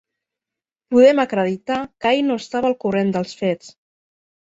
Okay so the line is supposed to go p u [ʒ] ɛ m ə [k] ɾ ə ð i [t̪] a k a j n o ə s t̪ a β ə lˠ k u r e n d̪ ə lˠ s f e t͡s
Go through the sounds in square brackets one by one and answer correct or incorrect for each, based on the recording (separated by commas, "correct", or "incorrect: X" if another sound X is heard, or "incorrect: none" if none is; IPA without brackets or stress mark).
incorrect: ð, correct, correct